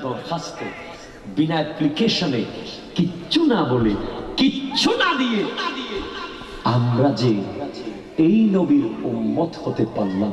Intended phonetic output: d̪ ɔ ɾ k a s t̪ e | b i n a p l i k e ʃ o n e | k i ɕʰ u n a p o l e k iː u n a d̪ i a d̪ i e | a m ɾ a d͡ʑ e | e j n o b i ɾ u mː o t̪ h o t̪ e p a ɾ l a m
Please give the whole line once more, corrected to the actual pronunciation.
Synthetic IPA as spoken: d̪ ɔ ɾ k a s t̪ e | b i n a p l i k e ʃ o n e | k i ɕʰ u n a b o l e k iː u n a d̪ i e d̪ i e | a m ɾ a d͡ʑ e | e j n o b i ɾ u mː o t̪ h o t̪ e p a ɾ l a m